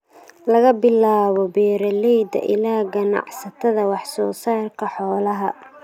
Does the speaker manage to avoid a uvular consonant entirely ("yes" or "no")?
yes